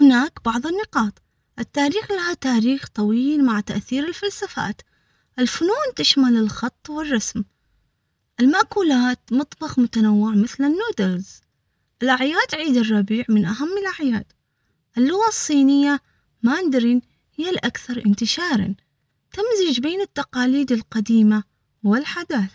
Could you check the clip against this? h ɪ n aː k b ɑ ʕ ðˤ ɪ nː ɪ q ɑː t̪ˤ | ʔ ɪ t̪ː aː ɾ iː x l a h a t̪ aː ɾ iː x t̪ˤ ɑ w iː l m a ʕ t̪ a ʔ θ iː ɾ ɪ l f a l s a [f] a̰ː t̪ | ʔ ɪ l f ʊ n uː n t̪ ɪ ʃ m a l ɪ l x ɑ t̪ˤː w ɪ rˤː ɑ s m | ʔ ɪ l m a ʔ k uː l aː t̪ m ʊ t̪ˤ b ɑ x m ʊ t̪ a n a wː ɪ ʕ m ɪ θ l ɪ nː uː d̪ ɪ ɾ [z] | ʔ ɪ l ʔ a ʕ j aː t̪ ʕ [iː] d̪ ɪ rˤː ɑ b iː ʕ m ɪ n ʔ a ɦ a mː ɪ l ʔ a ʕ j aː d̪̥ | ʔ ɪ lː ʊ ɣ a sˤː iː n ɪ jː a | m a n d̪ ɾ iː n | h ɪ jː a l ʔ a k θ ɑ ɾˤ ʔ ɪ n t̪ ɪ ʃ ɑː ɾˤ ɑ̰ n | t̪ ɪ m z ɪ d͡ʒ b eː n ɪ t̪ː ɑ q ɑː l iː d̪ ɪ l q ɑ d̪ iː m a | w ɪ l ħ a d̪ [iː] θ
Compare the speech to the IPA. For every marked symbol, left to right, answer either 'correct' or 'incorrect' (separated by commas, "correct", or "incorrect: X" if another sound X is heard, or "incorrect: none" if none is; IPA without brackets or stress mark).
correct, correct, correct, incorrect: aː